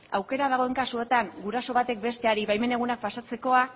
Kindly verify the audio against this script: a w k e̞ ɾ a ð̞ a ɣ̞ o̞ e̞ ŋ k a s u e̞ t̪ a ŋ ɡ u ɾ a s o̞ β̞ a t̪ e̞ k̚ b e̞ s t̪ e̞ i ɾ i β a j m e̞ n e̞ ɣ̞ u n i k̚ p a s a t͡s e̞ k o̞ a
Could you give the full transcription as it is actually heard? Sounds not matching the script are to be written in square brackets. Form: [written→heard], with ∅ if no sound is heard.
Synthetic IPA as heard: a w k e̞ ɾ a ð̞ a ɣ̞ o̞ e̞ ŋ k a s u e̞ t̪ a ŋ ɡ u ɾ a s o̞ β̞ a t̪ e̞ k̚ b e̞ s t̪ e̞ [i→a] ɾ i β a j m e̞ n e̞ ɣ̞ u n [i→a] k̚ p a s a t͡s e̞ k o̞ a

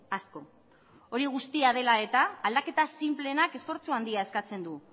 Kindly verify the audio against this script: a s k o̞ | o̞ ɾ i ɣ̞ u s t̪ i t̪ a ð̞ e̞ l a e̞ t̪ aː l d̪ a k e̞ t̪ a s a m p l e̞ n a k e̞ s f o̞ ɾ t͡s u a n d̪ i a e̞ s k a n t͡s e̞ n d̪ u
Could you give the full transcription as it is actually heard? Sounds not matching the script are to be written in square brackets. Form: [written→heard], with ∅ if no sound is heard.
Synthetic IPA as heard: a s k o̞ | o̞ ɾ i ɣ̞ u s t̪ i [t̪→∅] a ð̞ e̞ l a e̞ t̪ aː l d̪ a k e̞ t̪ a s [a→i] m p l e̞ n a k e̞ s f o̞ ɾ t͡s u a n d̪ i a e̞ s k a [n→∅] t͡s e̞ n d̪ u

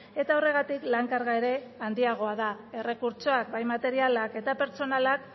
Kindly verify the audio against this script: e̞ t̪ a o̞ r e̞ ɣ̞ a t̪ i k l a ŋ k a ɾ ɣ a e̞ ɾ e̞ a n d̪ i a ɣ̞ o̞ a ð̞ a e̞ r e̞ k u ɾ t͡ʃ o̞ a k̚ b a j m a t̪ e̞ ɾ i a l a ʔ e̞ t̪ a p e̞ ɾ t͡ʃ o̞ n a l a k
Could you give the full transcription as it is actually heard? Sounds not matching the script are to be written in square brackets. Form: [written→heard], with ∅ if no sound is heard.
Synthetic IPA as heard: e̞ t̪ a o̞ r e̞ ɣ̞ a t̪ i k l a ŋ k a ɾ ɣ a e̞ ɾ e̞ a n d̪ i a ɣ̞ o̞ a ð̞ a e̞ r e̞ k u ɾ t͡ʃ o̞ a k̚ b a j m a t̪ e̞ ɾ i a l a [ʔ→k] e̞ t̪ a p e̞ ɾ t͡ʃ o̞ n a l a k

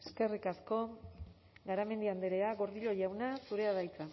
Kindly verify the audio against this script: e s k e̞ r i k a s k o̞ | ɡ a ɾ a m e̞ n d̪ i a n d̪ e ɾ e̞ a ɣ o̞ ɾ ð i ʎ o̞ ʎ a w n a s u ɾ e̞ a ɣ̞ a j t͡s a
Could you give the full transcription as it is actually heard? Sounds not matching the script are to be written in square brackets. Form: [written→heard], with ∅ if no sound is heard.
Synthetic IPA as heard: e s k e̞ r i k a s k o̞ | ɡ a ɾ a m e̞ n d̪ i a n d̪ e ɾ e̞ a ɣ o̞ ɾ ð i ʎ o̞ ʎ a w n a s u ɾ e̞ a [ɣ̞→ð̞] a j t͡s a

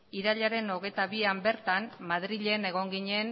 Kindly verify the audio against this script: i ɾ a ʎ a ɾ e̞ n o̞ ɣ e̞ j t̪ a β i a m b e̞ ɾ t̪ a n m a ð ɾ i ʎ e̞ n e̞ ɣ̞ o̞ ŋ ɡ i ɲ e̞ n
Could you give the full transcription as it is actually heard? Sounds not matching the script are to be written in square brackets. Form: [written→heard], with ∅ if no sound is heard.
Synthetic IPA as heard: i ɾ a ʎ a ɾ e̞ n o̞ ɣ e̞ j t̪ a β i a m b e̞ ɾ t̪ a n m a ð ɾ i ʎ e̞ n e̞ ɣ̞ o̞ ŋ ɡ i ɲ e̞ n

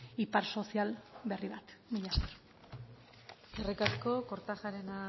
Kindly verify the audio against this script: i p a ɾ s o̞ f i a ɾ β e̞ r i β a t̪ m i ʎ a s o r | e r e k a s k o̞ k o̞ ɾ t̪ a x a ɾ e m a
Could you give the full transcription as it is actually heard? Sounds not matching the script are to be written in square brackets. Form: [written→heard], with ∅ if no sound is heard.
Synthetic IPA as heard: i p a ɾ s o̞ [f→s] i a [ɾ→l] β e̞ r i β a t̪ m i ʎ a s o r | e r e k a s k o̞ k o̞ ɾ t̪ a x a ɾ e [m→n] a

